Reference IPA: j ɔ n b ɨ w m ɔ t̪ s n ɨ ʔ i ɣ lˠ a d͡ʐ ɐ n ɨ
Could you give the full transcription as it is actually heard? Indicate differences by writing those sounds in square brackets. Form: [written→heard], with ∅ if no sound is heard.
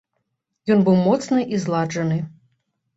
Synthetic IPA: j ɔ n b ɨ w m ɔ t̪ s n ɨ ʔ i [ɣ→z] lˠ a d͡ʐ ɐ n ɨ